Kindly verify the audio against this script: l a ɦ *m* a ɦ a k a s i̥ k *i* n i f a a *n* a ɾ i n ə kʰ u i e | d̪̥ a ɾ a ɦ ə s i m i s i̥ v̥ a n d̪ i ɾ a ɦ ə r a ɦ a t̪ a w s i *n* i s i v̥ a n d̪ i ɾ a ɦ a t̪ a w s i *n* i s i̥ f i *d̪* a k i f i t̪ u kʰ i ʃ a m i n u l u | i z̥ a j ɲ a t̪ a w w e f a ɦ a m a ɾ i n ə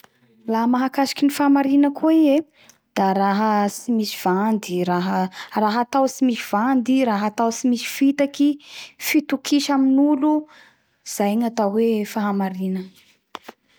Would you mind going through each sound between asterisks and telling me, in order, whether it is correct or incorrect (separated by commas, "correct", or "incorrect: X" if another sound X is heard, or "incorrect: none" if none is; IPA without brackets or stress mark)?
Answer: correct, correct, incorrect: m, incorrect: m, incorrect: m, incorrect: t̪